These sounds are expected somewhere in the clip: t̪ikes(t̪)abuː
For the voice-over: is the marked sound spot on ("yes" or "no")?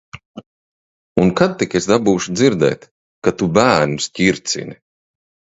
no